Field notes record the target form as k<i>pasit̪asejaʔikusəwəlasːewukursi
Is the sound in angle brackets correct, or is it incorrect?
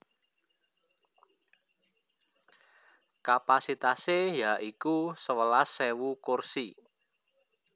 incorrect